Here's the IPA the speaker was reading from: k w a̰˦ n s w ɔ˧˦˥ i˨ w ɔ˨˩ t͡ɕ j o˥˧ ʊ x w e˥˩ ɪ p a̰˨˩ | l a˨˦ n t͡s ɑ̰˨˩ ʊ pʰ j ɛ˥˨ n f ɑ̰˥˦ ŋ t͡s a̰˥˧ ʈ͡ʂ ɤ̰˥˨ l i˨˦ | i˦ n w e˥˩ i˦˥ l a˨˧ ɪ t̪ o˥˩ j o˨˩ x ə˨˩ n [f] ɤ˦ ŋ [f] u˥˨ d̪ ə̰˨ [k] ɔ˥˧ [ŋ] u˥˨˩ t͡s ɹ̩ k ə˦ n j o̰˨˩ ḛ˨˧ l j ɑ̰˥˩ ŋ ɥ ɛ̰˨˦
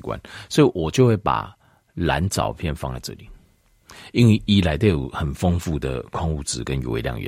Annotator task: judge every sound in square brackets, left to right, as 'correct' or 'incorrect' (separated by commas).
correct, correct, incorrect, correct